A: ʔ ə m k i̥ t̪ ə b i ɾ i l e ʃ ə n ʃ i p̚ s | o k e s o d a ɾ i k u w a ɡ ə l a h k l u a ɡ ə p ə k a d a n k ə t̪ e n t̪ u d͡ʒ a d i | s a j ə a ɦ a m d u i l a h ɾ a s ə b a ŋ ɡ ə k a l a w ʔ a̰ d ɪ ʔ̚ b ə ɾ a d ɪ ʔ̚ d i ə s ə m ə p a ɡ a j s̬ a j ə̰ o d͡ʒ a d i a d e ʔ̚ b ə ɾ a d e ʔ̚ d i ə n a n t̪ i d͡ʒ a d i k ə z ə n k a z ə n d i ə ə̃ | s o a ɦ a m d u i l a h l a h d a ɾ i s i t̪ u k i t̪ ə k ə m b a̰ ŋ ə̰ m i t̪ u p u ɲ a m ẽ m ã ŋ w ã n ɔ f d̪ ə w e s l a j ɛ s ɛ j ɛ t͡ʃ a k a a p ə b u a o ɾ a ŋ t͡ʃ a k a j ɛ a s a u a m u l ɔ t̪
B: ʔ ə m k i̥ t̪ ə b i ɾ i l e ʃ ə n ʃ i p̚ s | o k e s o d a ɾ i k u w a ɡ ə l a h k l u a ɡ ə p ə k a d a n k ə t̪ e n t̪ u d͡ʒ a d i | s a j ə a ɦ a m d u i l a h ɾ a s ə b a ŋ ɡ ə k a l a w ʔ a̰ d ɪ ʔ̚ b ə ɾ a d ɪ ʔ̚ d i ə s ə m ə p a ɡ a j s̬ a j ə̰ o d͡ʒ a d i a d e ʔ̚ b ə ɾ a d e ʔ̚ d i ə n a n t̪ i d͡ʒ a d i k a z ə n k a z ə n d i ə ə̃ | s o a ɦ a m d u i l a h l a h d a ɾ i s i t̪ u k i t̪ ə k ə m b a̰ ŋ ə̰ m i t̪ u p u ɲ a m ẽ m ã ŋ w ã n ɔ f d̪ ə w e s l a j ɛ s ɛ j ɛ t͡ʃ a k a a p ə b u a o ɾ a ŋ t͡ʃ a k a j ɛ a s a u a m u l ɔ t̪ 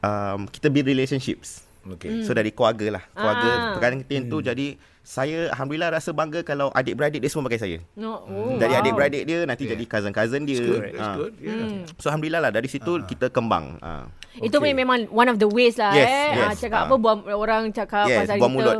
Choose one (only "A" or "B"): B